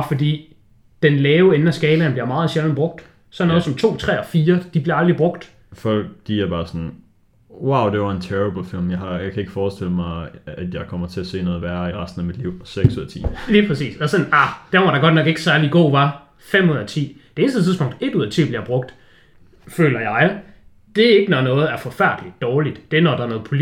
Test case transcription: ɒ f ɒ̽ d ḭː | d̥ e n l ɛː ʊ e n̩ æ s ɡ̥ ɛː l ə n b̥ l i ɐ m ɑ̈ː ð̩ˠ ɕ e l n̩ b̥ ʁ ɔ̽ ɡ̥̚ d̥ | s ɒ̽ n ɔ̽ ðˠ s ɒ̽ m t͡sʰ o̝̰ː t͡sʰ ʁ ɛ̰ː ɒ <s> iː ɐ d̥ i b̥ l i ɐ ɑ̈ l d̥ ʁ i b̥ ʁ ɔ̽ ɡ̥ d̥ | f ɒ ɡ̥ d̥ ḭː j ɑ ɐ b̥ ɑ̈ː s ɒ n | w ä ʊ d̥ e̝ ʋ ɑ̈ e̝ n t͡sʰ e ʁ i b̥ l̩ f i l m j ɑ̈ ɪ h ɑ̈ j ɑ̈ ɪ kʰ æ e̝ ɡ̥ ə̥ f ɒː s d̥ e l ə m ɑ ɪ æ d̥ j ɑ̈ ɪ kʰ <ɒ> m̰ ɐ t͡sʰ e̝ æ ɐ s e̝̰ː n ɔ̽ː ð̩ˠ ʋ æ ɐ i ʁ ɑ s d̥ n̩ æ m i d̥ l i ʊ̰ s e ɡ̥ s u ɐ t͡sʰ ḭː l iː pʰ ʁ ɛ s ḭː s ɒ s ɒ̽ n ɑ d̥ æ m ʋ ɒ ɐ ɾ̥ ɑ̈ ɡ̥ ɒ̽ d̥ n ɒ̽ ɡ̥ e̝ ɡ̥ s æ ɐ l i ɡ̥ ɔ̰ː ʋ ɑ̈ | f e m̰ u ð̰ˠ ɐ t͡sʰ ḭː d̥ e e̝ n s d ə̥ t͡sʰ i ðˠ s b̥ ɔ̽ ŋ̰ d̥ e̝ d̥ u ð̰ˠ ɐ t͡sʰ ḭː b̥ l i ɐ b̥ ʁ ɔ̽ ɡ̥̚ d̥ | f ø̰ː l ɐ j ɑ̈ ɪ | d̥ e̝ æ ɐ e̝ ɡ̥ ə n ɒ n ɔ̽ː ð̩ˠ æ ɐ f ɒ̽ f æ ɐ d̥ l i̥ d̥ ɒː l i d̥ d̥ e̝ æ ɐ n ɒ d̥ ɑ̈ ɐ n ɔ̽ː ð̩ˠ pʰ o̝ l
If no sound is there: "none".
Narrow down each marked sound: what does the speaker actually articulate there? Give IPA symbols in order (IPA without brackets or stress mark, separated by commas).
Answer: f, ɒ